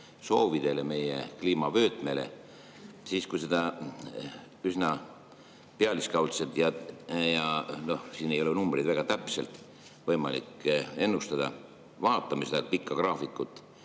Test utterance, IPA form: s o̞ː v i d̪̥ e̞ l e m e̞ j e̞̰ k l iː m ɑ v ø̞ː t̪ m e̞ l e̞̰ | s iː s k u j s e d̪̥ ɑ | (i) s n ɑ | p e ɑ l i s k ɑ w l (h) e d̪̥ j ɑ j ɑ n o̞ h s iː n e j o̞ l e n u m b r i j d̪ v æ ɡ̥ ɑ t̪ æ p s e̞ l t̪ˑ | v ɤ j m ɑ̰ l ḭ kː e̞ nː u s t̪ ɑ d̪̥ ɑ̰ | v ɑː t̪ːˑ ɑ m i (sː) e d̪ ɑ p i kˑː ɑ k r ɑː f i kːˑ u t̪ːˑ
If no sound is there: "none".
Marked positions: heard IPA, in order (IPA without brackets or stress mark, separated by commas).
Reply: y, s, s